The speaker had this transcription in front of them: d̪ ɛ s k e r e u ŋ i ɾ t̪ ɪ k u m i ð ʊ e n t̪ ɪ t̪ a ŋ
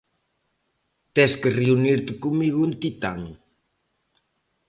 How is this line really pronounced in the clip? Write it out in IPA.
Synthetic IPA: t̪ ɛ s k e r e u n i ɾ t̪ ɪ k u m i ɣ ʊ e n t̪ i t̪ a ŋ